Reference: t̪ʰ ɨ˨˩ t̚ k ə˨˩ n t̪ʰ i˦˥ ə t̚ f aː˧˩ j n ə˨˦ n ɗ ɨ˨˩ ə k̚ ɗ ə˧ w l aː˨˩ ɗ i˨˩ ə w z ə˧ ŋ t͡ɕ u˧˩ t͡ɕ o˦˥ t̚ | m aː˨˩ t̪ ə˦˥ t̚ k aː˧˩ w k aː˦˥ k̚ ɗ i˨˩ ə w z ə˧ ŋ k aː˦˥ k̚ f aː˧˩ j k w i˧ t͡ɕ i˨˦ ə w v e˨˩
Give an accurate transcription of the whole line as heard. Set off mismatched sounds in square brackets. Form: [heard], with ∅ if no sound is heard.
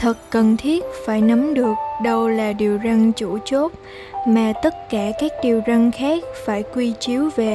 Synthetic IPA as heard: t̪ʰ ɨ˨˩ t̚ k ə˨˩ n t̪ʰ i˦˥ ə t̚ f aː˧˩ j n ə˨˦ [m] ɗ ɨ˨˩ ə k̚ ɗ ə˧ w l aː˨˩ ɗ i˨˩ ə w z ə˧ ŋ t͡ɕ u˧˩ t͡ɕ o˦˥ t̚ | m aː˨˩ t̪ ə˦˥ t̚ k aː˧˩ [∅] k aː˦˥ k̚ ɗ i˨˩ ə w z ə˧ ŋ [x] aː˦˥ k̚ f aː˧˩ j k w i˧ t͡ɕ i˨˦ ə w v e˨˩